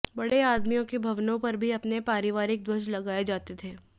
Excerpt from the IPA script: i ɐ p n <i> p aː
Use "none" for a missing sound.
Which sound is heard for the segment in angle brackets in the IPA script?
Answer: e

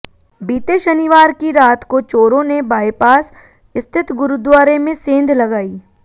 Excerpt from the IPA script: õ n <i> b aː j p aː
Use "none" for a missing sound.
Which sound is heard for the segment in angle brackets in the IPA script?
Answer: e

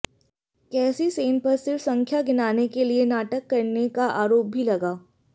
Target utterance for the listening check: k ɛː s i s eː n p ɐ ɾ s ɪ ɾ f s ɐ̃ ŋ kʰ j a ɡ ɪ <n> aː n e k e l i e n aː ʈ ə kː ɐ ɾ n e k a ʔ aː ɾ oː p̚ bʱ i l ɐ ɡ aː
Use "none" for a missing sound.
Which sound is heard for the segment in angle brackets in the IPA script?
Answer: n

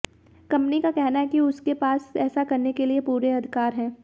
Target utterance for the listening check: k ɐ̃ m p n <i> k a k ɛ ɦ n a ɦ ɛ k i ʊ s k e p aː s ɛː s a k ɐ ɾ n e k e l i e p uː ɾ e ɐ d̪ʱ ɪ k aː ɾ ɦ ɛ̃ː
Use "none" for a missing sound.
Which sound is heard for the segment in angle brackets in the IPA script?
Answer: i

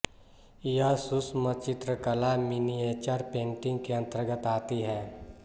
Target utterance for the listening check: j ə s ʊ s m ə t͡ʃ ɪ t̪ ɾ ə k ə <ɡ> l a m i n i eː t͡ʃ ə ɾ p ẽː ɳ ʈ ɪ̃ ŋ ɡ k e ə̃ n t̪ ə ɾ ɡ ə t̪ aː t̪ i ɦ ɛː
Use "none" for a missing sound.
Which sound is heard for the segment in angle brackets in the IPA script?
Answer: none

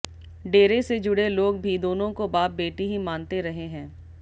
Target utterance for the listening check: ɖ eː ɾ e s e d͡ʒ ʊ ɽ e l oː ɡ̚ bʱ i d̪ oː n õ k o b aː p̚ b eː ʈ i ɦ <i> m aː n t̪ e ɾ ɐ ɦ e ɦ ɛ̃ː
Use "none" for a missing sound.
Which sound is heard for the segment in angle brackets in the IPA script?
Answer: i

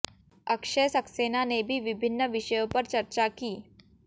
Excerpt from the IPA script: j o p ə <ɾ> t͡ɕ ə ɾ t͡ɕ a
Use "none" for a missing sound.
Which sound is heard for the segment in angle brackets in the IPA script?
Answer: ɾ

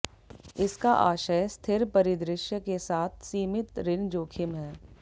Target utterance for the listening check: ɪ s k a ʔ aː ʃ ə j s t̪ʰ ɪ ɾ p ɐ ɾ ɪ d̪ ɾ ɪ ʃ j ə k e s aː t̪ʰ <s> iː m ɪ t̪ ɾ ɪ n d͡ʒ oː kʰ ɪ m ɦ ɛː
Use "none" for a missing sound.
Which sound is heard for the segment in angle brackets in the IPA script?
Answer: s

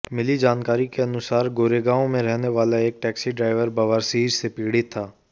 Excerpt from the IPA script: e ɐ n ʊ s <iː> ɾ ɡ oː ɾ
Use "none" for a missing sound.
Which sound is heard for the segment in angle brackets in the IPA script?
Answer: aː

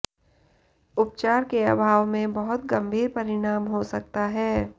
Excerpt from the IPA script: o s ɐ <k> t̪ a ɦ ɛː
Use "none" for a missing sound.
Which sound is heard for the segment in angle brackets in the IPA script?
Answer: k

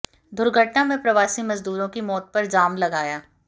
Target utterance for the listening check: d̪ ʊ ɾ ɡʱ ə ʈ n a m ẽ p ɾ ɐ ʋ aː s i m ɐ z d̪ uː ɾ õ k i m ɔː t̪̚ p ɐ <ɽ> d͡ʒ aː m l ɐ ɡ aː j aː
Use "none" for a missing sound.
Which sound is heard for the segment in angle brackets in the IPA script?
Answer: ɾ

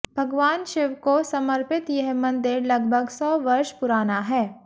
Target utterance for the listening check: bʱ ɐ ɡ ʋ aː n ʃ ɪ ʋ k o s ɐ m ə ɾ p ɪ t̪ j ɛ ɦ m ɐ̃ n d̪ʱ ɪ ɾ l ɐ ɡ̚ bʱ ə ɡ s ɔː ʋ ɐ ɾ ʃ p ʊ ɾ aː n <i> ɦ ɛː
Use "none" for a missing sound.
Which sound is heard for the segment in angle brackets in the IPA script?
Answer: a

